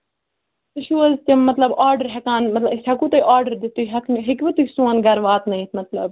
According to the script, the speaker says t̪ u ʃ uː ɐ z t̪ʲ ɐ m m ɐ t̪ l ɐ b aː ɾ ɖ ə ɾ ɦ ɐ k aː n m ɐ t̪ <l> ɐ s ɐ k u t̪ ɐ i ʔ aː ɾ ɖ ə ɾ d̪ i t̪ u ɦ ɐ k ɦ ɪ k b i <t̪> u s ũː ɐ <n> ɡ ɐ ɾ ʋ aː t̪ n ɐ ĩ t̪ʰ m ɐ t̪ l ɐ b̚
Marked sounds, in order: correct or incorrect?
correct, correct, correct

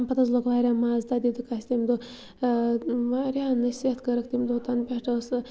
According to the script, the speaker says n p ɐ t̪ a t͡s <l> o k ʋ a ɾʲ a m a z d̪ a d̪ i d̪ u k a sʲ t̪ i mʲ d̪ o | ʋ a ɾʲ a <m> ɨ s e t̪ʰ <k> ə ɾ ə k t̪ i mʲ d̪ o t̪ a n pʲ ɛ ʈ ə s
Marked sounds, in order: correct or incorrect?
correct, incorrect, correct

